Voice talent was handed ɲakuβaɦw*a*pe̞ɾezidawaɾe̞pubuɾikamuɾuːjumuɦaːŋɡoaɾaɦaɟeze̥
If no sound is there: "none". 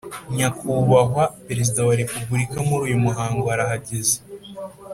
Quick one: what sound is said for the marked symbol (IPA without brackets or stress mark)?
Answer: a